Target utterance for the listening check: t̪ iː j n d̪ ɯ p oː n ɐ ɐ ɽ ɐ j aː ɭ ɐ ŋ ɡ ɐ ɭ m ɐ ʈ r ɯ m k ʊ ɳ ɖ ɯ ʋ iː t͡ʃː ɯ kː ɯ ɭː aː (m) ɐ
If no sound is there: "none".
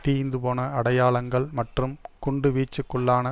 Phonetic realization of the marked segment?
n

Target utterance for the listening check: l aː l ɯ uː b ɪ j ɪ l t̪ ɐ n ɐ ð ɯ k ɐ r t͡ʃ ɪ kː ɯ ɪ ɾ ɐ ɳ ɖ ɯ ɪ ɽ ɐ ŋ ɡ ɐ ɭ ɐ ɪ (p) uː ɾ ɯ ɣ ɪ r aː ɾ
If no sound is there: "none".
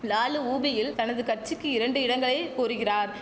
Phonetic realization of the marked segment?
k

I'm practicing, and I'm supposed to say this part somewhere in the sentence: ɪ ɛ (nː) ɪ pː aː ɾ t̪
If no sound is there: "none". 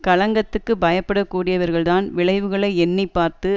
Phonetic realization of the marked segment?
nː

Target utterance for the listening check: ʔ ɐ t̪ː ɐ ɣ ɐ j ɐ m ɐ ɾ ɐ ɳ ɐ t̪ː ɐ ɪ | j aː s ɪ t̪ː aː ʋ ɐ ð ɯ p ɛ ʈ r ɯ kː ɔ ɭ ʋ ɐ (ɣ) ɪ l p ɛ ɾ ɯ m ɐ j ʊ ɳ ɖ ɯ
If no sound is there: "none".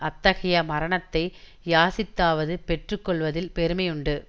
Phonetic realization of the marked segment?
ð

